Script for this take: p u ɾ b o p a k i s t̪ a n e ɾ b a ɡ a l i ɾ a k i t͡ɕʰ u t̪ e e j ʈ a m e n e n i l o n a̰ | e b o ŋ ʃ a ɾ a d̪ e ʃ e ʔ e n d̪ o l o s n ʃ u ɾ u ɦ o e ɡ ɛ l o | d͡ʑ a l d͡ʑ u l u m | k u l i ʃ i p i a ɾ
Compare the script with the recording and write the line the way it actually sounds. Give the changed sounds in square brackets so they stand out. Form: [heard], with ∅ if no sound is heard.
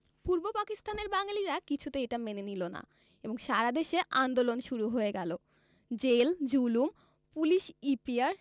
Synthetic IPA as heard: p u ɾ b o p a k i s t̪ a n e ɾ b a [ŋ] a l i ɾ a k i t͡ɕʰ u t̪ e e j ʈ a m e n e n i l o n a̰ | e b o ŋ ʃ a ɾ a d̪ e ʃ e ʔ [a] n d̪ o l o [∅] n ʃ u ɾ u ɦ o e ɡ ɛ l o | d͡ʑ [e] l d͡ʑ u l u m | [p] u l i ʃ i p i a ɾ